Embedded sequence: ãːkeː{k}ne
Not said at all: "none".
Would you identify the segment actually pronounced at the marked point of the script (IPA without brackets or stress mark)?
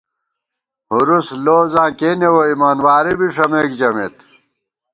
none